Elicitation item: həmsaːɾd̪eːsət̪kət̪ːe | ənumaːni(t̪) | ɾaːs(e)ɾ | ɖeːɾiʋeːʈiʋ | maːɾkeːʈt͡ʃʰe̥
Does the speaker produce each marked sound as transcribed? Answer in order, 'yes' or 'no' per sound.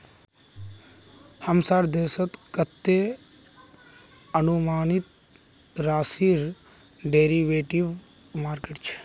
yes, no

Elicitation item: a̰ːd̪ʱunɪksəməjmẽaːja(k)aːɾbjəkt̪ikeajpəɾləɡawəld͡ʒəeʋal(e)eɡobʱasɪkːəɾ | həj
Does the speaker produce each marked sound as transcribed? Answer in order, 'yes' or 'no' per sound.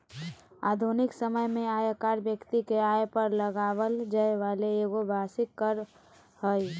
yes, yes

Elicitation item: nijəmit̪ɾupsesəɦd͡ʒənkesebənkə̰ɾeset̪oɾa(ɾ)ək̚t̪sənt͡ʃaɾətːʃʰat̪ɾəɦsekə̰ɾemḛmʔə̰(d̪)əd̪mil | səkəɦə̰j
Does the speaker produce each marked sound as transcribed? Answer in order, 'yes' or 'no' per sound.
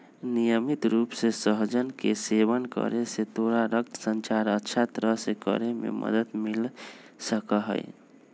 yes, yes

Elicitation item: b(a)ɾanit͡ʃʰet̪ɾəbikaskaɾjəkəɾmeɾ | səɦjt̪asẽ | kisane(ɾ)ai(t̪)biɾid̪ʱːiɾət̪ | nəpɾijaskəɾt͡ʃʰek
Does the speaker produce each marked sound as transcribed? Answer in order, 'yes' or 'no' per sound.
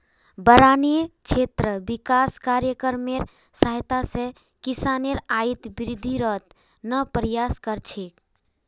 no, yes, yes

